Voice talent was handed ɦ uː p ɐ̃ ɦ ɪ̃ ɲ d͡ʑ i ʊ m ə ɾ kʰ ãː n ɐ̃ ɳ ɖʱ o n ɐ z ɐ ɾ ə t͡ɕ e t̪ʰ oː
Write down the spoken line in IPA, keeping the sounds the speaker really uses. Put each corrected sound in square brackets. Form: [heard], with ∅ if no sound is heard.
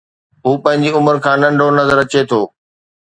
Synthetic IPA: ɦ uː p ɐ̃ ɦ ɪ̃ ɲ d͡ʑ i ʊ m ə ɾ kʰ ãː n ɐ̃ ɳ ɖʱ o n ɐ z [ə] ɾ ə t͡ɕ e t̪ʰ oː